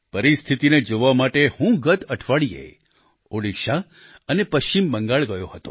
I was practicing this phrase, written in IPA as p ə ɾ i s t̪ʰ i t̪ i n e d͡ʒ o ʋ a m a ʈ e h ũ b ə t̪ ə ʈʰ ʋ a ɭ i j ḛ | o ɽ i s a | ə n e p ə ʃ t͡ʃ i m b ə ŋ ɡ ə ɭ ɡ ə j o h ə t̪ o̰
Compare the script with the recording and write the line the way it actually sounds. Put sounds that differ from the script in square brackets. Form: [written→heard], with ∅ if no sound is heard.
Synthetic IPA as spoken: p ə ɾ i s t̪ʰ i t̪ i n e d͡ʒ o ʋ a m a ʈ e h ũ [b→ɡ] ə t̪ ə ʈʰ ʋ a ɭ i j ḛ | o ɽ i [s→ʃ] a | ə n e p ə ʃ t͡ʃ i m b ə ŋ ɡ [ə→a] ɭ ɡ ə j o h ə t̪ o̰